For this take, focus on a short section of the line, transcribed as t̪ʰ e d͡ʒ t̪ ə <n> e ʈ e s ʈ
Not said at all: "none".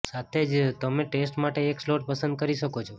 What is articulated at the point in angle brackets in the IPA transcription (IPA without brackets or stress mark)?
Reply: m